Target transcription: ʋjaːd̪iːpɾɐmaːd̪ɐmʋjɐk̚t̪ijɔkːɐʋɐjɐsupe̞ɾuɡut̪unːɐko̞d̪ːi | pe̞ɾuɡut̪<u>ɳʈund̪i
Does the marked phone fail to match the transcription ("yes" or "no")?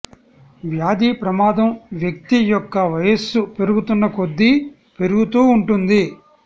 yes